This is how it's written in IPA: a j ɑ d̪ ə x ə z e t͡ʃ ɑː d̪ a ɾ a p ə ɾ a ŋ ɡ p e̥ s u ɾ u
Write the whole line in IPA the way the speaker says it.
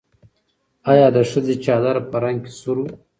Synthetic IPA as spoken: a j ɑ d̪ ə ʂ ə z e t͡ʃ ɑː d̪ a ɾ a p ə ɾ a ŋ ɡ k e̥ s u ɾ u